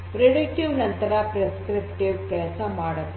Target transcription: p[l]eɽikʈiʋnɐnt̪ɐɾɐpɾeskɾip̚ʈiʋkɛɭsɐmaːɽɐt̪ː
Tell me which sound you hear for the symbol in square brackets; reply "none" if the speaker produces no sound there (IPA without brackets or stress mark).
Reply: ɾ